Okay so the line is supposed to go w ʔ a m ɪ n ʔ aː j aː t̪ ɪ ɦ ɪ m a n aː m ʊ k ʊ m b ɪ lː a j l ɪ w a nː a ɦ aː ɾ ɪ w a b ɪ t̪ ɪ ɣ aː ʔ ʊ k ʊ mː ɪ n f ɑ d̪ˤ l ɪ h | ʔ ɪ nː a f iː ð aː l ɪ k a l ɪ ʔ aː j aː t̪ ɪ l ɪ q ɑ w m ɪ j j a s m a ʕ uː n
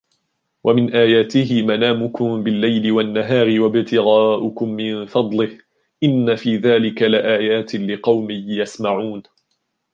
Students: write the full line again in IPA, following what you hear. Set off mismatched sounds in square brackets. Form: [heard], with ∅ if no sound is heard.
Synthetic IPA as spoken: w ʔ a m ɪ n ʔ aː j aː t̪ ɪ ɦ ɪ m a n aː m ʊ k ʊ m b ɪ lː a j l ɪ w a nː a ɦ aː ɾ ɪ w a b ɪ t̪ ɪ ɣ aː ʔ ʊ k ʊ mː ɪ n f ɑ d̪ˤ l ɪ h | ʔ ɪ nː a f iː ð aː l ɪ k a l ɪ ʔ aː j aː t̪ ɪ l ɪ q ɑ w m ɪ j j a s m a ʕ uː n